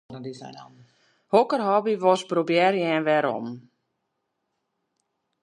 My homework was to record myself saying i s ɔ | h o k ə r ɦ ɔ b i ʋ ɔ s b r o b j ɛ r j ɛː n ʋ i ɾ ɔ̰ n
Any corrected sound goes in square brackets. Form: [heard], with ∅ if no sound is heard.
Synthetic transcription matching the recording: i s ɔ | h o k ə r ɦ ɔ b i ʋ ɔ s b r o b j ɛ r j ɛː n ʋ [ɛ] ɾ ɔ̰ [m]